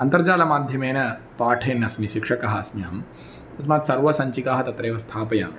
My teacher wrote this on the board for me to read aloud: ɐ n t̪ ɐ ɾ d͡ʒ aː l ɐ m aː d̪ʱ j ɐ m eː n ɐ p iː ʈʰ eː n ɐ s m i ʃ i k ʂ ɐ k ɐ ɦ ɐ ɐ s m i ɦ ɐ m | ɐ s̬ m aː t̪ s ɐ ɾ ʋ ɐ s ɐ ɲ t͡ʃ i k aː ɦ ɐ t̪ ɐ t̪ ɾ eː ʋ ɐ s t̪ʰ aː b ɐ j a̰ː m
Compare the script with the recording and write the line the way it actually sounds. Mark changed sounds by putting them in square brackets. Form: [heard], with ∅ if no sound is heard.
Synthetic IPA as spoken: ɐ n t̪ ɐ ɾ d͡ʒ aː l ɐ m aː d̪ʱ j ɐ m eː n ɐ p [aː] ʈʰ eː n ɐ s m i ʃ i k ʂ ɐ k ɐ ɦ ɐ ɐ s m i ɦ ɐ m | ɐ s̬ m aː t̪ s ɐ ɾ ʋ ɐ s ɐ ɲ t͡ʃ i k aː ɦ ɐ t̪ ɐ t̪ ɾ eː ʋ ɐ s t̪ʰ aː [p] ɐ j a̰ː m